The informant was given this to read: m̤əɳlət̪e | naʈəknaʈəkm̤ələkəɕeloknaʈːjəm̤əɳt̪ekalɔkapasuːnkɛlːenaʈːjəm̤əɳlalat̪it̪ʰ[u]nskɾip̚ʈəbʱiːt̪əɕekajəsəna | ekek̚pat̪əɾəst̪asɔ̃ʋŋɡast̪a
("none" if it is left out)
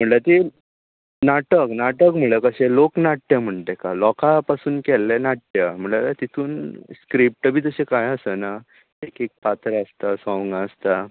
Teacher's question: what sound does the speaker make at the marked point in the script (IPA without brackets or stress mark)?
uː